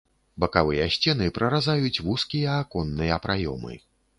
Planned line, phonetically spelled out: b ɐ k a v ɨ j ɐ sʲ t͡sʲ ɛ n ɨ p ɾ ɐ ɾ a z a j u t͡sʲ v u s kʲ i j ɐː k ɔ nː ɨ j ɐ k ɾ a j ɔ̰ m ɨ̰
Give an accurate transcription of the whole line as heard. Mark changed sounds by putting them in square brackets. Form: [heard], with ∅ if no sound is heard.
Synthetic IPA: b ɐ k a v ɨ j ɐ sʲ t͡sʲ ɛ n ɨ p ɾ ɐ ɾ a z a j u t͡sʲ v u s kʲ i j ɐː k ɔ nː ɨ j ɐ [p] ɾ a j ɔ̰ m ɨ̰